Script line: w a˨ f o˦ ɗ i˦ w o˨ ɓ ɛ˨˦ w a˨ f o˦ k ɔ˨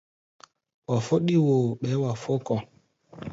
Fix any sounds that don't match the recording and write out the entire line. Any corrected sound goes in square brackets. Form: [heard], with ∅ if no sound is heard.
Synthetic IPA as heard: w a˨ f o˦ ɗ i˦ w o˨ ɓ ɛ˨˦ w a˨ f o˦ k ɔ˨